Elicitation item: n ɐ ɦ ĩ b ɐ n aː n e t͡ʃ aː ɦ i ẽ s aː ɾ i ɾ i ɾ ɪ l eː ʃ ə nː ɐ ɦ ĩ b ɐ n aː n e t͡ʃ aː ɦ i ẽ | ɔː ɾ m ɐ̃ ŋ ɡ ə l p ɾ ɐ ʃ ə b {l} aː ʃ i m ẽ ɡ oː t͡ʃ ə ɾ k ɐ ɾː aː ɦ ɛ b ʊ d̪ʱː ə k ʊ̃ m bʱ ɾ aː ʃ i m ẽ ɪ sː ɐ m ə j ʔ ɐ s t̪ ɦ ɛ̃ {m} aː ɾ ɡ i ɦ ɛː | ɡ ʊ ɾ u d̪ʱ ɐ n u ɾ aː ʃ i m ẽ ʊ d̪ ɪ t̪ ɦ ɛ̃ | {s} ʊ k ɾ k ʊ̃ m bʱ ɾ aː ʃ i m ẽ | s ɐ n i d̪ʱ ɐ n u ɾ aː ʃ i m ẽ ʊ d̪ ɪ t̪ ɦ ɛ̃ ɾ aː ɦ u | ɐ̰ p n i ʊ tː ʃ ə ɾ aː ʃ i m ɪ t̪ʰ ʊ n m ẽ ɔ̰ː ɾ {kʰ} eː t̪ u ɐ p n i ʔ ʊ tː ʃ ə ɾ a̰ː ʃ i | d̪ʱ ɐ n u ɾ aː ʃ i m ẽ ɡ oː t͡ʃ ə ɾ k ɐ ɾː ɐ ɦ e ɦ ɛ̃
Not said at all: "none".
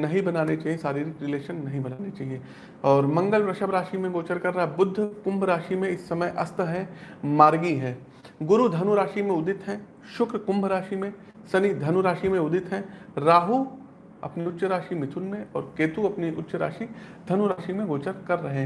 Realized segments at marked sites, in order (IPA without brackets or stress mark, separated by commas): ɾ, m, ʃ, k